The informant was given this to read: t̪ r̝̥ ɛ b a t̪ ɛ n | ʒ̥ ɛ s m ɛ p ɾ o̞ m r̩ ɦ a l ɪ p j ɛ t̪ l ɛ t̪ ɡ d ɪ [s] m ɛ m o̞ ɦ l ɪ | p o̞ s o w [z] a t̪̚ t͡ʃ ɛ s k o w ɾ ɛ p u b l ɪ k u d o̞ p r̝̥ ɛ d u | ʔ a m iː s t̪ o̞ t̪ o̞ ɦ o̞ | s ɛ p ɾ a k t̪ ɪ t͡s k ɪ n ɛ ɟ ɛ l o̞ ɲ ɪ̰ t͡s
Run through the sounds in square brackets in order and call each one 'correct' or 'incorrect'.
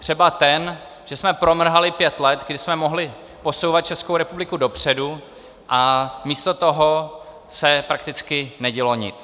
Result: correct, incorrect: v

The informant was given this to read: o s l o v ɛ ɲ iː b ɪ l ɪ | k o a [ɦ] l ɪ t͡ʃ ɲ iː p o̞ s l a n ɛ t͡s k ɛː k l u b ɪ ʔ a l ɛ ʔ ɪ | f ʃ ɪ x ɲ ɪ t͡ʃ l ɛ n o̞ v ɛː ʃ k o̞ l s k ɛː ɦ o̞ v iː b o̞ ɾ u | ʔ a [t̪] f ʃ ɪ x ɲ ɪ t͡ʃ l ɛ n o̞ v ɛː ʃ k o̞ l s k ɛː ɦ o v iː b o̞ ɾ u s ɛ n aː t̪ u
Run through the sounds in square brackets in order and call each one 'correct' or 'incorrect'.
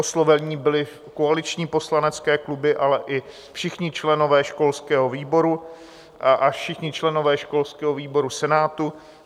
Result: incorrect: none, incorrect: none

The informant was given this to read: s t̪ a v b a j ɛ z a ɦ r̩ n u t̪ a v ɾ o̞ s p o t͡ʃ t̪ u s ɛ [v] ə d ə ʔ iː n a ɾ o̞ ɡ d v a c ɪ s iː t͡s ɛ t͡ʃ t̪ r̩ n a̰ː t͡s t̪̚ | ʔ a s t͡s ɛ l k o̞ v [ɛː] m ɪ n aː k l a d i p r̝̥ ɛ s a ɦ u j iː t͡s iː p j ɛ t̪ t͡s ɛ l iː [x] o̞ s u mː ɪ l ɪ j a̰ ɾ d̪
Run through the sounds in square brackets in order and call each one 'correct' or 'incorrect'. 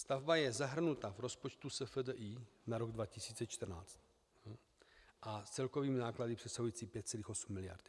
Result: incorrect: f, incorrect: iː, correct

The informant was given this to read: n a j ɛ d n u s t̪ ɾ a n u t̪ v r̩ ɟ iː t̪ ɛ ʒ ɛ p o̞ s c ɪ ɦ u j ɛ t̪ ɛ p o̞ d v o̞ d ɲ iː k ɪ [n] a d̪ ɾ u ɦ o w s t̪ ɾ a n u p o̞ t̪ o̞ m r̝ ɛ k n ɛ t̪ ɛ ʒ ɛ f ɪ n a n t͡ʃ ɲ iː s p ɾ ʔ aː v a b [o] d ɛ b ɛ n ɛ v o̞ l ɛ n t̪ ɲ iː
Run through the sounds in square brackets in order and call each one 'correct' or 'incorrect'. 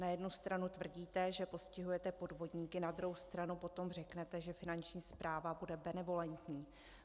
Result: correct, incorrect: u

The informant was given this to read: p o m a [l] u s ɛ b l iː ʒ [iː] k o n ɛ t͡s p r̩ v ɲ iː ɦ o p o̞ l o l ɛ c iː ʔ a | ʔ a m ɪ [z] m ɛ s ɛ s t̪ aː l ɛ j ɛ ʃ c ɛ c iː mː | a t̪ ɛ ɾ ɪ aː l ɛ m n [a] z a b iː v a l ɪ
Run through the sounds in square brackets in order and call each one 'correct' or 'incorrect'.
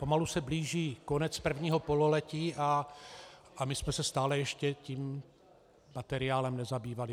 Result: correct, correct, incorrect: s, incorrect: ɛ

